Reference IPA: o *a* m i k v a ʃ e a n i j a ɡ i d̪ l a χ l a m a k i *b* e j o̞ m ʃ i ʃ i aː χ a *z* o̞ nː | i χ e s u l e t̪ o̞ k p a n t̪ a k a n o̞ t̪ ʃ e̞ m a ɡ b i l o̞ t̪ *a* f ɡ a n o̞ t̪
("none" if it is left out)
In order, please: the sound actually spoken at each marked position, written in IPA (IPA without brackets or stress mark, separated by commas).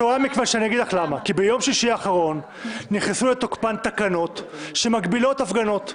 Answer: a, b, ʁ, a